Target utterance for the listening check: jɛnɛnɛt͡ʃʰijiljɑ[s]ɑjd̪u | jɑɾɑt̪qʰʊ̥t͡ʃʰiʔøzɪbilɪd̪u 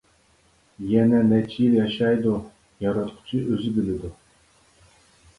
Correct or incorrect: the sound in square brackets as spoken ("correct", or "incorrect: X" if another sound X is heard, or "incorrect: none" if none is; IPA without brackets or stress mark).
incorrect: ʃ